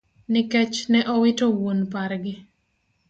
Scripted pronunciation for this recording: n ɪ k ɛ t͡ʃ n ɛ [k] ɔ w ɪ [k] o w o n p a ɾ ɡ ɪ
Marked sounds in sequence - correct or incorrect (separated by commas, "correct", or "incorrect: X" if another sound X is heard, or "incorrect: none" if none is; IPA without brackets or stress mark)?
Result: incorrect: ʔ, incorrect: t